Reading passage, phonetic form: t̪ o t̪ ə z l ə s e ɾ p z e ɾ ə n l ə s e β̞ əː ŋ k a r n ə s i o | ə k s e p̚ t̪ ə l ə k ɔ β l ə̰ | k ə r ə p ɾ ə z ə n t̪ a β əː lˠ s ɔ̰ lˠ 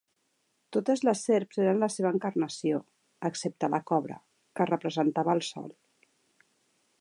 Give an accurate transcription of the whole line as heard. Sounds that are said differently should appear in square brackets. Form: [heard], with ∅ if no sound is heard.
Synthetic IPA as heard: t̪ o t̪ ə z l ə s e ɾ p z e ɾ ə n l ə s e β̞ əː ŋ k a r n ə s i o | ə k s e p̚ t̪ ə l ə k ɔ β [ɾ] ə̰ | k ə r ə p ɾ ə z ə n t̪ a β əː lˠ s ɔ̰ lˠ